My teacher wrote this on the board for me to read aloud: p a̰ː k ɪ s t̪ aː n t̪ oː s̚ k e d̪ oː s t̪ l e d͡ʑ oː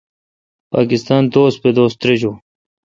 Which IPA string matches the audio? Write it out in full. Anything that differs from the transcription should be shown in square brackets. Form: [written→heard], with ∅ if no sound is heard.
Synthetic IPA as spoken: p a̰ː k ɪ s t̪ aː n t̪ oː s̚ [k→p] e d̪ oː s t̪ [l→ɾ] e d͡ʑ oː